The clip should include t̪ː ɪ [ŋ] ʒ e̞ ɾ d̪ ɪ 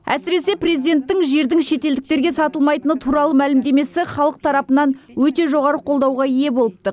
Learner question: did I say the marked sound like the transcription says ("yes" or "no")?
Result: yes